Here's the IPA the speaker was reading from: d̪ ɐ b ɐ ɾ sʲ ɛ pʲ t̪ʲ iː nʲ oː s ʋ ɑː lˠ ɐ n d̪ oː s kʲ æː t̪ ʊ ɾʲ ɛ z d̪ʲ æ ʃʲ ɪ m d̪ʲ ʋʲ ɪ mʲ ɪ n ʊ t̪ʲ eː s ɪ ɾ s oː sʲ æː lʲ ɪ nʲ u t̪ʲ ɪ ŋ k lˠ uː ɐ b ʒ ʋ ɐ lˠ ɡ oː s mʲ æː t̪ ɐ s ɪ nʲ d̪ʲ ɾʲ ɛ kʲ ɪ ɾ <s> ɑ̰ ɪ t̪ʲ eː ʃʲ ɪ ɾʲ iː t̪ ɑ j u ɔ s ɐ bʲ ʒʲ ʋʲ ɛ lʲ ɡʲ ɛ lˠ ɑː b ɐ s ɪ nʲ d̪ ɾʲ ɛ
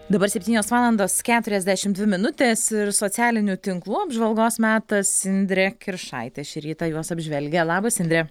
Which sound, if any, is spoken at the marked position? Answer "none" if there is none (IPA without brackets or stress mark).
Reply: ʃ